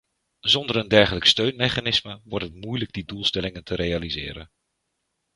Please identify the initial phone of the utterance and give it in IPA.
z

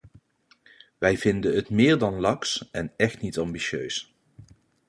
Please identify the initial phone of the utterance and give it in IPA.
ʋ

